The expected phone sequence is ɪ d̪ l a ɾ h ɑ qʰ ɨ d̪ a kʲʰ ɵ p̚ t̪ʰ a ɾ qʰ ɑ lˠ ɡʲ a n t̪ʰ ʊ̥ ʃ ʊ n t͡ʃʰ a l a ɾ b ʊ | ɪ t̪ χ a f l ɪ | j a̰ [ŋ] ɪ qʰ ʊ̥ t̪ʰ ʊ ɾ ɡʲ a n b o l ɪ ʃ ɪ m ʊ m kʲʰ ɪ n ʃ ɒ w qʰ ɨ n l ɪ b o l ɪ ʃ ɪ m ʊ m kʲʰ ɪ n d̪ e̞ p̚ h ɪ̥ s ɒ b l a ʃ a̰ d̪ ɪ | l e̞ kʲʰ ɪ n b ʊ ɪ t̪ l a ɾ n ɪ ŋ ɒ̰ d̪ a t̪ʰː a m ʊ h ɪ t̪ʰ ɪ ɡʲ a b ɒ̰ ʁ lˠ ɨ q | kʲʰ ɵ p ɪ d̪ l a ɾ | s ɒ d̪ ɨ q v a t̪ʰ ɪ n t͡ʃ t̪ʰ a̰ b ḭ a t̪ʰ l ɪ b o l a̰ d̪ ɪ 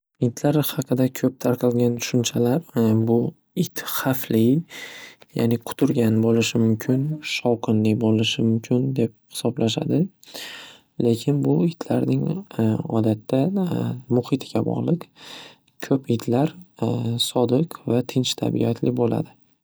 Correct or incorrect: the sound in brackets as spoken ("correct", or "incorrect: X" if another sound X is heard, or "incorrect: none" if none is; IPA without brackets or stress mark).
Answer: incorrect: n